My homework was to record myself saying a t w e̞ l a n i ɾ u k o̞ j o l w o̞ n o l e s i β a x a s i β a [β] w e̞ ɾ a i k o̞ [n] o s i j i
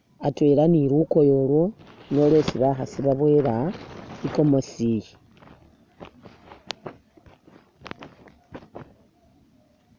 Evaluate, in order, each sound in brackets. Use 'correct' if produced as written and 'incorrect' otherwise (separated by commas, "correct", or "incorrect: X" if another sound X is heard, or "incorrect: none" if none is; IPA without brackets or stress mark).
correct, incorrect: m